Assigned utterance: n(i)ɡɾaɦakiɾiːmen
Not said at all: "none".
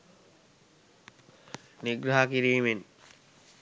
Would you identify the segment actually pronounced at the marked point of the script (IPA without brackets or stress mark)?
i